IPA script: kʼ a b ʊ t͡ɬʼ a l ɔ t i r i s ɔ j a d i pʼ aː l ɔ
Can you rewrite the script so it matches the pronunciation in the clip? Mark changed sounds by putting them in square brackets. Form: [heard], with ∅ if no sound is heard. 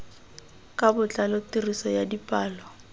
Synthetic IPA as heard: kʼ a b ʊ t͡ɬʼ a l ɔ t i r i s ɔ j a d i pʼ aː l ɔ